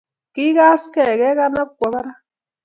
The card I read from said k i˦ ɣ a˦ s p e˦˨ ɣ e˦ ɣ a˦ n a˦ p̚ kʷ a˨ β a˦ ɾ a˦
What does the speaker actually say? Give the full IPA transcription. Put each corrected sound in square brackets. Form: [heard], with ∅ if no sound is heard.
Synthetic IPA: k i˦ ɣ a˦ s [k] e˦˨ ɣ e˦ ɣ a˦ n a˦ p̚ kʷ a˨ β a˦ ɾ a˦

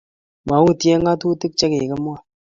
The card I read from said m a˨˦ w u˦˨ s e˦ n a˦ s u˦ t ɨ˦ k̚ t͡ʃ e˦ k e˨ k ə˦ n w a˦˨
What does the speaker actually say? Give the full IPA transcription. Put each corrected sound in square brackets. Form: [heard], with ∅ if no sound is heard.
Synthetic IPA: m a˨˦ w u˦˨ [t] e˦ [ŋ] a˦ [t] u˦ t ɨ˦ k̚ t͡ʃ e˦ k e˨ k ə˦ [m] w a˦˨

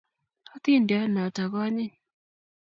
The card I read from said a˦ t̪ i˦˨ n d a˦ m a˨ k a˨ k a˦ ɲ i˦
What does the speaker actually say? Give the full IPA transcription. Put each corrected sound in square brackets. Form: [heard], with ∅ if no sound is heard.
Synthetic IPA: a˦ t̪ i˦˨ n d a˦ [n] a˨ [t] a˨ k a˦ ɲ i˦

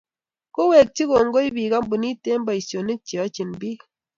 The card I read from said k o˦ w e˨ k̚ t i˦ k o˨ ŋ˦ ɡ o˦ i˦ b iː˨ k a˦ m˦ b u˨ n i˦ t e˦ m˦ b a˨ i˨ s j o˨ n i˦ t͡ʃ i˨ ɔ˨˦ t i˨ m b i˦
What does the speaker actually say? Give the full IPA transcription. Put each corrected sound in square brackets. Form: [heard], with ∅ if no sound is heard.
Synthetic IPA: k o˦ w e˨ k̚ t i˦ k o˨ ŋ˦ ɡ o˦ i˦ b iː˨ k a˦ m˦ b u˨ n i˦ t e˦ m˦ b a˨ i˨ s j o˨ n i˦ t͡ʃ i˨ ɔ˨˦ [t͡ʃ] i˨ [n] b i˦

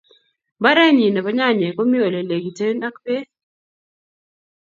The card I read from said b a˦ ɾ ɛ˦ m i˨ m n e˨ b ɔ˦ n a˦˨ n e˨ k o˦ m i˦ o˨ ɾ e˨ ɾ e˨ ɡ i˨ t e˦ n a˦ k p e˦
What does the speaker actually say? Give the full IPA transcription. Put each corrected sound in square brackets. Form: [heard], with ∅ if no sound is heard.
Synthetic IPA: b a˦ ɾ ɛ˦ [ɲ] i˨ [∅] n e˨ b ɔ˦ [ɲ] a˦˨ [ɲ] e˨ k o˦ m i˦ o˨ [l] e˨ [l] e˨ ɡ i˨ t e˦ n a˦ k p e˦

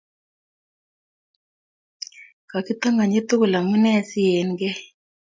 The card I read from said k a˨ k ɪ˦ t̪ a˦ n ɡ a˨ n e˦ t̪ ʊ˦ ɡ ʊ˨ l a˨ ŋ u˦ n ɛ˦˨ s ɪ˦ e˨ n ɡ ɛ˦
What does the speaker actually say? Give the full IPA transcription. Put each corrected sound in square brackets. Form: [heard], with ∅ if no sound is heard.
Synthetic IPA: k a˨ k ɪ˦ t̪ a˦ [ŋ] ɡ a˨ [ɲ] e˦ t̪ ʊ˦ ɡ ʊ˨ l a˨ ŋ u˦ n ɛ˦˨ s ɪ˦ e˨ n ɡ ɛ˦

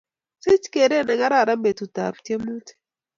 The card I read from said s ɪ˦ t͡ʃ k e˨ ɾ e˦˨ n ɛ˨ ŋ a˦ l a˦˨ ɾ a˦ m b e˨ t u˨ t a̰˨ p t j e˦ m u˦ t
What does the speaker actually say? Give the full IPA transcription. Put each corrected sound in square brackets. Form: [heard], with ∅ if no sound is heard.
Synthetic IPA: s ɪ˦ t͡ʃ k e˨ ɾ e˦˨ n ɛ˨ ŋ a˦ [ɾ] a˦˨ ɾ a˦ m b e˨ t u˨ t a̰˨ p t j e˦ m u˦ t

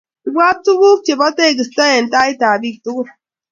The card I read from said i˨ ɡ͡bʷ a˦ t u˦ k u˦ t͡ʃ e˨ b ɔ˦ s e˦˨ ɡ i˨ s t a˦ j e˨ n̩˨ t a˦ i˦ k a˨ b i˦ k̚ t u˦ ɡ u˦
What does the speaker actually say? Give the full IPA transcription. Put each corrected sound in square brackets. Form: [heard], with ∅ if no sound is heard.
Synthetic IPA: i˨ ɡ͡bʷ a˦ t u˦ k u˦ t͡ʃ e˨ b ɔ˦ [t] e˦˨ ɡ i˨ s t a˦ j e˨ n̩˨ t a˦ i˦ [t] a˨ b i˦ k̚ t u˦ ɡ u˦

